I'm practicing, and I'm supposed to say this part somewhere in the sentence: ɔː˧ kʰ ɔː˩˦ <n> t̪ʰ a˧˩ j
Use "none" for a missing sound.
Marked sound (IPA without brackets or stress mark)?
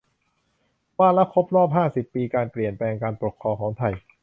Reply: ŋ